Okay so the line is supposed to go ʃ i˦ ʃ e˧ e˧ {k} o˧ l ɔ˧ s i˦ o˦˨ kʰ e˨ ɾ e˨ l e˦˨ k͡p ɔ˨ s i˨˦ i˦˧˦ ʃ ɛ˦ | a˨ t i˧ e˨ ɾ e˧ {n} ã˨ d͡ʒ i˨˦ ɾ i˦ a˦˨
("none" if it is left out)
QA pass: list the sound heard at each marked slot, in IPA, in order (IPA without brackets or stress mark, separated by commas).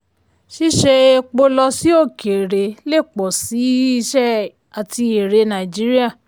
k͡p, n